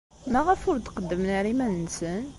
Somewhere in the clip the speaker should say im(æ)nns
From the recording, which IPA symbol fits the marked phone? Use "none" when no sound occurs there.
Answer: æ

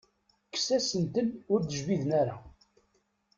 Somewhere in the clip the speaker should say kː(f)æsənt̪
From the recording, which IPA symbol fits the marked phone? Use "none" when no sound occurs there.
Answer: s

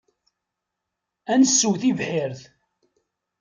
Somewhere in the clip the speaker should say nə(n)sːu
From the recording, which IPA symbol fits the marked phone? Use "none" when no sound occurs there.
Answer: none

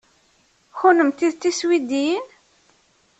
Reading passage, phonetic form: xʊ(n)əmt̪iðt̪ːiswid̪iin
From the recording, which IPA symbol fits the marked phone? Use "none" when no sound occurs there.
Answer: n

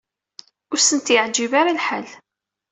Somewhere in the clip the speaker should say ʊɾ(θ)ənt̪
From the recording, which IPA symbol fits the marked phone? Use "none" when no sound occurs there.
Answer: s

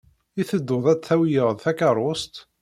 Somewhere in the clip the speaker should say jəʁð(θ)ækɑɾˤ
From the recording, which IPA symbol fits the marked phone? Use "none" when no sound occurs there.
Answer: θ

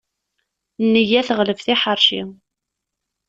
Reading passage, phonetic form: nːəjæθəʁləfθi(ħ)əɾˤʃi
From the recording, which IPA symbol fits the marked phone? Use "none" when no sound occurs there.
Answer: ħ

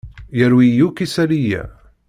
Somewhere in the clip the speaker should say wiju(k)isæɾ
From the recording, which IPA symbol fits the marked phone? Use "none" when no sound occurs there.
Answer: k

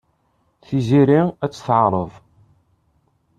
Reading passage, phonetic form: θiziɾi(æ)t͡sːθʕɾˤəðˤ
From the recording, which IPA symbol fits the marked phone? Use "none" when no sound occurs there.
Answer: æ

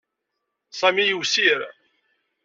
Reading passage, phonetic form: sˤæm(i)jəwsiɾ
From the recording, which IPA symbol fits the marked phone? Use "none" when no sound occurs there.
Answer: i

